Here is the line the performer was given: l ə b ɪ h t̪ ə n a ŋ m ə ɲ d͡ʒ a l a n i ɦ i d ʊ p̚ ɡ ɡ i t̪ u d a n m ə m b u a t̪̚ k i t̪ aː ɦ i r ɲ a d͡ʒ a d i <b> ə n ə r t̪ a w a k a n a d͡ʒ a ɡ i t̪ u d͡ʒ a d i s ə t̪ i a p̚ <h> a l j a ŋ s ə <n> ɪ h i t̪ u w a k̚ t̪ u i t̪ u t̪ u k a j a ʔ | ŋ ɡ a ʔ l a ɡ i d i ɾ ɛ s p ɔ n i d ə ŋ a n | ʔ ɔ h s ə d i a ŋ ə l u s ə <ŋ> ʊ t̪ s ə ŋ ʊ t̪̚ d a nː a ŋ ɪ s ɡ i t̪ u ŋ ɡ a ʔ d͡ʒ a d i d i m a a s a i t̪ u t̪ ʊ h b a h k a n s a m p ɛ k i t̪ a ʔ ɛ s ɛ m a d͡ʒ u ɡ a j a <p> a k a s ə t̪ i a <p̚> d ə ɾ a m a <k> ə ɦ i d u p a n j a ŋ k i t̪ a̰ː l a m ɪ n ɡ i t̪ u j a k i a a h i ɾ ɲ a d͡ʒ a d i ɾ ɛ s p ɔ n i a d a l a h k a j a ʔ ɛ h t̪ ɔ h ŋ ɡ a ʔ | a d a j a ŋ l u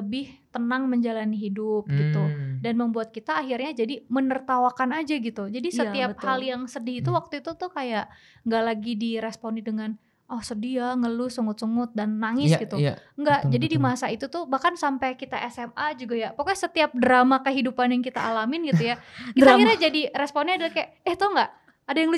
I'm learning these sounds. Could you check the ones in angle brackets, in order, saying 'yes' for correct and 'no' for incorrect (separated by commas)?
no, yes, no, yes, yes, yes, yes